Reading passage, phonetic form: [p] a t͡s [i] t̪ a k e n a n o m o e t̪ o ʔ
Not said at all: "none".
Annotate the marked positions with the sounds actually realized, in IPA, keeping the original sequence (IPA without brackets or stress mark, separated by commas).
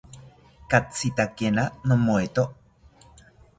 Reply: k, i